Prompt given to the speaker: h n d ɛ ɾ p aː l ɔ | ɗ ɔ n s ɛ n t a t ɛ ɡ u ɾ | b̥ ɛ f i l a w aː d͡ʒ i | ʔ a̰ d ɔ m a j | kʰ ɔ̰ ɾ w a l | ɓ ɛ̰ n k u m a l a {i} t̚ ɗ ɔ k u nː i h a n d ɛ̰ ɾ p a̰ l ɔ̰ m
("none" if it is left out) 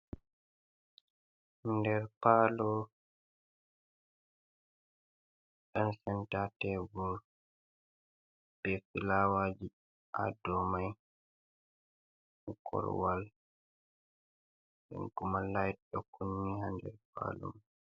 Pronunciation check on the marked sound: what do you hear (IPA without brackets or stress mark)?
j